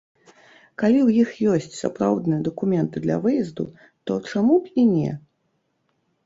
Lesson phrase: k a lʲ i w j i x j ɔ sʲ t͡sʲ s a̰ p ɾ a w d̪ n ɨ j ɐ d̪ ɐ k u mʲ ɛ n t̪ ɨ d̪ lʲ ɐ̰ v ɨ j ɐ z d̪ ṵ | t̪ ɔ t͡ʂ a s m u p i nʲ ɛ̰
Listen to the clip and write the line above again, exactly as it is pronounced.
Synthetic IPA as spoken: k a lʲ i w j i x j ɔ sʲ t͡sʲ s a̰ p ɾ a w d̪ n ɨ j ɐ d̪ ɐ k u mʲ ɛ n t̪ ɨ d̪ lʲ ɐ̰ v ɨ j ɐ z d̪ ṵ | t̪ ɔ t͡ʂ a m u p i nʲ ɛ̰